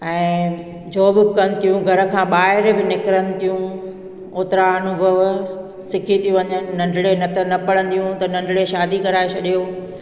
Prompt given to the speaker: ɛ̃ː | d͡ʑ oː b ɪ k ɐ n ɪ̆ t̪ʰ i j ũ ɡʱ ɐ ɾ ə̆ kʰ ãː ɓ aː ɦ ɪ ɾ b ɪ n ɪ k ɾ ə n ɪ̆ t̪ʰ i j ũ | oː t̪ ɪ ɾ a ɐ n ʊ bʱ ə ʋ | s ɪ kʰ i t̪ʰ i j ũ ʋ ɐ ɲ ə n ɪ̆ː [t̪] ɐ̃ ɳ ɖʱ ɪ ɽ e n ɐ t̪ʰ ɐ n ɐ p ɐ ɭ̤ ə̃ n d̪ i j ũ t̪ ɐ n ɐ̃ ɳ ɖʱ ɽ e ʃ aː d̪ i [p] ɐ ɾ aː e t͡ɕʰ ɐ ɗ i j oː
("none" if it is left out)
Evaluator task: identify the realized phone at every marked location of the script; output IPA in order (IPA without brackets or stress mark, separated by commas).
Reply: none, k